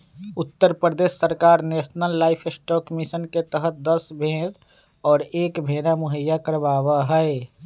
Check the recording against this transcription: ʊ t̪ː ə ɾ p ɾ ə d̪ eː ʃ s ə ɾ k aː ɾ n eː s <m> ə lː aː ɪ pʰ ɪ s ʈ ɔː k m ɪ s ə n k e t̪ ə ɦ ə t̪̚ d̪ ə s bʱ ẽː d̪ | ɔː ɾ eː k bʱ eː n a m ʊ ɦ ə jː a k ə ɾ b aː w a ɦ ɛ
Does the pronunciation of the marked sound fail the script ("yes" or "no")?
yes